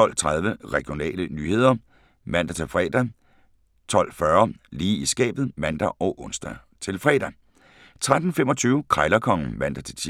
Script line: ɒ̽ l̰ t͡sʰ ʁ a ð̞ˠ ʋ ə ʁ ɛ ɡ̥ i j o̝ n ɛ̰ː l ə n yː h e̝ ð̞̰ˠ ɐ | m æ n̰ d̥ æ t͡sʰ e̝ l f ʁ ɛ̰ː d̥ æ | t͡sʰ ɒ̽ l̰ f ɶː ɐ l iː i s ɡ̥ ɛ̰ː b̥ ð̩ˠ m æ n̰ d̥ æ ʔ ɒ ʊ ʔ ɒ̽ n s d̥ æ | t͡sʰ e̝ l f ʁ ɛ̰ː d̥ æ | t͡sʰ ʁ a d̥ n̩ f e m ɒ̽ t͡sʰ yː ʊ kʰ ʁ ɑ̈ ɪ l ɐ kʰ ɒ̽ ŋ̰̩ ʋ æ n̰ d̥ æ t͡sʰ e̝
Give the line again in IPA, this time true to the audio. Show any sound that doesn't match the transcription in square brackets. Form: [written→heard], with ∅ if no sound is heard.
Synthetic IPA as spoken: ɒ̽ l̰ t͡sʰ ʁ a ð̞ˠ ʋ ə ʁ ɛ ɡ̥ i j o̝ n ɛ̰ː l ə n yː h e̝ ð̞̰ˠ ɐ | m æ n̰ d̥ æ t͡sʰ e̝ l f ʁ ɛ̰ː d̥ æ | t͡sʰ ɒ̽ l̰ f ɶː ɐ l iː i s ɡ̥ ɛ̰ː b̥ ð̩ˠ m æ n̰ d̥ æ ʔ ɒ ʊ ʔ [ɒ̽→ɔ̽] n s d̥ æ | t͡sʰ e̝ l f ʁ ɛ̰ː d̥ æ | t͡sʰ ʁ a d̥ n̩ f e m ɒ̽ t͡sʰ yː ʊ kʰ ʁ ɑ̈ ɪ l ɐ kʰ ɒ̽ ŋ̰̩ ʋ æ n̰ d̥ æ t͡sʰ e̝